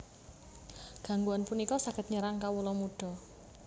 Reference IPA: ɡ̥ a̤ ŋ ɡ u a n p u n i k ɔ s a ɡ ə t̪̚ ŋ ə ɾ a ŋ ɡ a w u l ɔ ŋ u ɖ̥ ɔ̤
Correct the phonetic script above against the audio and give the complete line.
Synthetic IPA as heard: ɡ̥ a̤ ŋ ɡ u a n p u n i k ɔ s a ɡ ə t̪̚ ɲ ə ɾ a ŋ k a w u l ɔ m u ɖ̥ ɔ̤